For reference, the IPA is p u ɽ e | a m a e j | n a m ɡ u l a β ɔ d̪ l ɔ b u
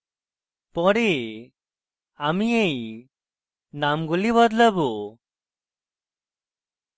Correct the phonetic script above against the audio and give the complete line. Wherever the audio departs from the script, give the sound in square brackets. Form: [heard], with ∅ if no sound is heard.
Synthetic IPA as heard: p [ɔ] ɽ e | a m [i] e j | n a m ɡ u l [i] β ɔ d̪ l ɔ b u